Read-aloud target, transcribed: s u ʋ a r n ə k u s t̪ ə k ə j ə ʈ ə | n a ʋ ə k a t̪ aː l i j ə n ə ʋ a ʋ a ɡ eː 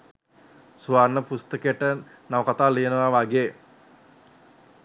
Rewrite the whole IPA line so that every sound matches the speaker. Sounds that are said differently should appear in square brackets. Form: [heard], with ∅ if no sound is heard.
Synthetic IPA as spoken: s u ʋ a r n ə [p] u s t̪ ə k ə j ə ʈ ə | n a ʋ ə k a t̪ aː l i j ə n ə ʋ a ʋ a ɡ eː